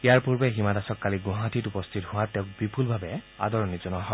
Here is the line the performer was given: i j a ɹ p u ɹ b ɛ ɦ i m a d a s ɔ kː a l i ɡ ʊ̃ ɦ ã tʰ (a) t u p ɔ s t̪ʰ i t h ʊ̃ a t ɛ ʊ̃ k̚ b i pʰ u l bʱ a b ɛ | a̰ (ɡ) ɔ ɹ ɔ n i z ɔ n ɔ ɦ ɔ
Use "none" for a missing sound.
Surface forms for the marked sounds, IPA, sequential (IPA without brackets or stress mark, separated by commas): i, d